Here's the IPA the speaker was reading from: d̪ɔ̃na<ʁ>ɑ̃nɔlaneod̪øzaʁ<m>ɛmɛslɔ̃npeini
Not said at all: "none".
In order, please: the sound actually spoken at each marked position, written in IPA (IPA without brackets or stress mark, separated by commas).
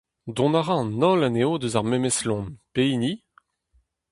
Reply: ʁ, m